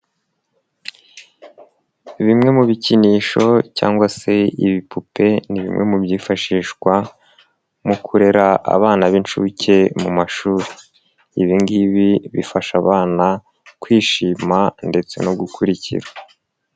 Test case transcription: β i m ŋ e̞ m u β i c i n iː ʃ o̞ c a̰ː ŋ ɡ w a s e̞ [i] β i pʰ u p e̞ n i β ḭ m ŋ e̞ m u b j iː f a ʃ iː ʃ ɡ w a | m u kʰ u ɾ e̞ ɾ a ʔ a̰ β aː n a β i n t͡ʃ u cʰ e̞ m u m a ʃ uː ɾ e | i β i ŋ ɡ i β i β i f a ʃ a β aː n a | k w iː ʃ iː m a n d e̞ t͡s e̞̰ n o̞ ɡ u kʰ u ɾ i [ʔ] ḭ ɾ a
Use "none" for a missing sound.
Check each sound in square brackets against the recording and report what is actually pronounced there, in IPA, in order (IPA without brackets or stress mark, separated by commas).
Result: i, c